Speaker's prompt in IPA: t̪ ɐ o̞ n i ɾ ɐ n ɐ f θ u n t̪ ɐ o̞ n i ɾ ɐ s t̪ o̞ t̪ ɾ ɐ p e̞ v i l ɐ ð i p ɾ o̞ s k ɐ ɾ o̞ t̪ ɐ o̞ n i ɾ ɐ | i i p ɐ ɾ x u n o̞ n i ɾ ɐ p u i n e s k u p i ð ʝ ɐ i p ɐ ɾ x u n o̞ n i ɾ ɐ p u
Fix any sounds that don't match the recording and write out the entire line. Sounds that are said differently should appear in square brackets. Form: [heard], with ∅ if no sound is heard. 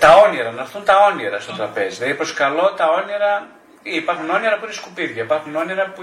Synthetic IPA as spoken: t̪ ɐ o̞ n i ɾ ɐ n ɐ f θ u n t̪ ɐ o̞ n i ɾ ɐ s t̪ o̞ t̪ ɾ ɐ p e̞ [z] i l ɐ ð i p ɾ o̞ s k ɐ [l] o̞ t̪ ɐ o̞ n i ɾ ɐ | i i p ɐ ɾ x u n o̞ n i ɾ ɐ p u i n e s k u p i ð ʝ ɐ i p ɐ ɾ x u n o̞ n i ɾ ɐ p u